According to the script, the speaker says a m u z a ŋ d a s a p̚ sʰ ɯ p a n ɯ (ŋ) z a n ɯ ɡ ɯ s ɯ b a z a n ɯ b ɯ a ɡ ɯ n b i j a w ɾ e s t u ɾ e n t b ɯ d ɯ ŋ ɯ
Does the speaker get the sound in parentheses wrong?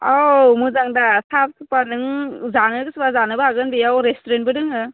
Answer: no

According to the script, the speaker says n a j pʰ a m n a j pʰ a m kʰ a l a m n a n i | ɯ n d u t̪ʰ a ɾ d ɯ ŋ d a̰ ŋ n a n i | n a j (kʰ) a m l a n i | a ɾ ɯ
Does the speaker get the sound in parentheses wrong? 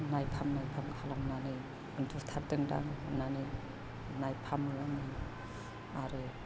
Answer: yes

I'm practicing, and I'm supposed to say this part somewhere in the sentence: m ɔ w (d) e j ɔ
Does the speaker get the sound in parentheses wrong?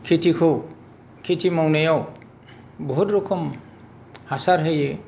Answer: yes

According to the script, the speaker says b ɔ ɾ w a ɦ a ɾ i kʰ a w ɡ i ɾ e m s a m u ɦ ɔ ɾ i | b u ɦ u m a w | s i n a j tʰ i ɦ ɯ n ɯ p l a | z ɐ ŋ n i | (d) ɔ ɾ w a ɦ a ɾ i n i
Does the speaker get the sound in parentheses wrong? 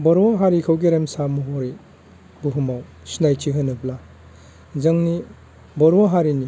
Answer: yes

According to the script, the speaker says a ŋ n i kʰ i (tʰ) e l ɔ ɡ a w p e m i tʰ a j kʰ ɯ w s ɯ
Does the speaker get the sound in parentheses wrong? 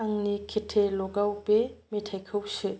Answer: no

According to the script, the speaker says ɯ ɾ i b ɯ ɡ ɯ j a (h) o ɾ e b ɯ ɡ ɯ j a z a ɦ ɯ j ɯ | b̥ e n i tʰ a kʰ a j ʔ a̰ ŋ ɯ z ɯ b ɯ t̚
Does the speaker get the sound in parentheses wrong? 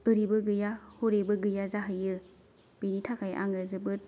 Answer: no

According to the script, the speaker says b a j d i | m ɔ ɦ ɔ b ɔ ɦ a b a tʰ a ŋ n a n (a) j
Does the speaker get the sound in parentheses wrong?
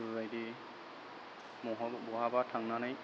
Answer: no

